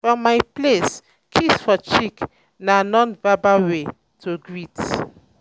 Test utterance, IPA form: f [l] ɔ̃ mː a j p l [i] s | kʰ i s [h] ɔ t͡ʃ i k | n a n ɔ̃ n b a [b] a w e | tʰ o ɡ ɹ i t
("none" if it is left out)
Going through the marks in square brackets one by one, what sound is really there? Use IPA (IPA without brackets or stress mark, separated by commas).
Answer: ɹ, e, f, b